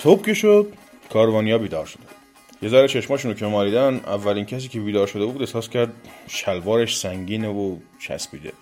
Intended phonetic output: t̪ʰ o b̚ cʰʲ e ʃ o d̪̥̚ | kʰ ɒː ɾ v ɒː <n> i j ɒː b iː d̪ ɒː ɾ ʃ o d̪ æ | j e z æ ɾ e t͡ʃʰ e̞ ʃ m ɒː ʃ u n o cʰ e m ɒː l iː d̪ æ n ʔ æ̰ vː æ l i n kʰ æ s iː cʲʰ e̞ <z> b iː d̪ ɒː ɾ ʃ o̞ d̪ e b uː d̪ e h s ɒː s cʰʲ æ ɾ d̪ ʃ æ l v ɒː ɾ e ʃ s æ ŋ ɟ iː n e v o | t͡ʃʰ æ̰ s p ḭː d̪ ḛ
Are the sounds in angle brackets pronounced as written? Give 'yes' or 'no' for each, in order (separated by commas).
yes, no